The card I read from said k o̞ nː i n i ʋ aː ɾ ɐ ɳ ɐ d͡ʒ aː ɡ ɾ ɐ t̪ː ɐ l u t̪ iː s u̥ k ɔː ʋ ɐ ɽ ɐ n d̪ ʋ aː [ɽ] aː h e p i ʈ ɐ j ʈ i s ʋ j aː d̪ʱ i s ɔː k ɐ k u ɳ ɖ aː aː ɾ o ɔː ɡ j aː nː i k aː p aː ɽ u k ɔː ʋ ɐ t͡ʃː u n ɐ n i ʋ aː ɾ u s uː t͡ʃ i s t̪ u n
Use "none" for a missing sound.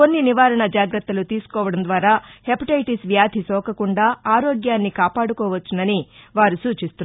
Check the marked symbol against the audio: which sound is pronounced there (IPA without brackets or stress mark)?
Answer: ɾ